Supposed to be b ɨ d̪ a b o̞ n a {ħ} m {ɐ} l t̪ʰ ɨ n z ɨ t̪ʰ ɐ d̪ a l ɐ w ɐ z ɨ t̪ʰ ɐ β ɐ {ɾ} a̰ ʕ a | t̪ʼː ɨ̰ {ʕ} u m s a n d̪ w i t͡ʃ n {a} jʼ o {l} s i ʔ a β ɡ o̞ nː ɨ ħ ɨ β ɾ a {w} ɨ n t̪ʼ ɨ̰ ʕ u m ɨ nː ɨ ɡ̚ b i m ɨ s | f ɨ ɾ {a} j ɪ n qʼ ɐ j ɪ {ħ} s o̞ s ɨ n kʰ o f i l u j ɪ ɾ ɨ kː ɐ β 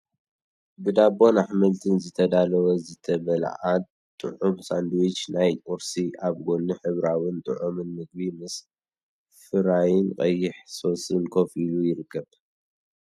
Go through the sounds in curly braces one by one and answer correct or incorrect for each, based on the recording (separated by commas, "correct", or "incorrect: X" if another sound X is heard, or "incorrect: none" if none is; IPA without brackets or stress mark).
correct, correct, incorrect: l, correct, correct, incorrect: ɾ, correct, correct, correct